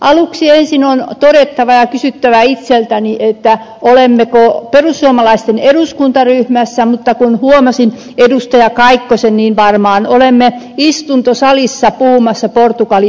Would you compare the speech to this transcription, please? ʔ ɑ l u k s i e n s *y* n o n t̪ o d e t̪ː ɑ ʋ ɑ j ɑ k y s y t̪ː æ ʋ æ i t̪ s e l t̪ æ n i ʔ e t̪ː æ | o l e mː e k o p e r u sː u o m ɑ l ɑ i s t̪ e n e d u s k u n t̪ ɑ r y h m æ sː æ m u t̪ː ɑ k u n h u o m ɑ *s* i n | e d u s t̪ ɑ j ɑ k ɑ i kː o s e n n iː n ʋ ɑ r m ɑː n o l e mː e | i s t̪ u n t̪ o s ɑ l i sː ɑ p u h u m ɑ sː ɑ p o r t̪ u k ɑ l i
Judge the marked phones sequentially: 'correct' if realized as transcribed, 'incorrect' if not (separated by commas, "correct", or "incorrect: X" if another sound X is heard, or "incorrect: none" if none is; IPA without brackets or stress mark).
incorrect: i, correct